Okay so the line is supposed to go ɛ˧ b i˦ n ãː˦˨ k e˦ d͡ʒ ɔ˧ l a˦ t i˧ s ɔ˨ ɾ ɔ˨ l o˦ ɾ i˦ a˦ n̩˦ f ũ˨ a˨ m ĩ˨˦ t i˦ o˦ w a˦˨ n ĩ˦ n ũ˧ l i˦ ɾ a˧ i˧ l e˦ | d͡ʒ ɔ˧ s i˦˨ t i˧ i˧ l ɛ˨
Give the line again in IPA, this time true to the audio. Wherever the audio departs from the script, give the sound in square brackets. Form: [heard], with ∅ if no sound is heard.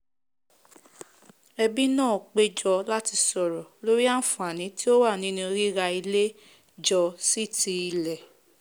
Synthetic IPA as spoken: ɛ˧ b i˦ n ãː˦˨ [k͡p] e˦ d͡ʒ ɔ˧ l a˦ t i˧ s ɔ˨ ɾ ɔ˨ l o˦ ɾ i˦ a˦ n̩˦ f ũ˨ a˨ [n] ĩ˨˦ t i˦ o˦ w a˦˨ n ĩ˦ n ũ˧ [ɾ] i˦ ɾ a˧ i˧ l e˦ | d͡ʒ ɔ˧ s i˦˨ t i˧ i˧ l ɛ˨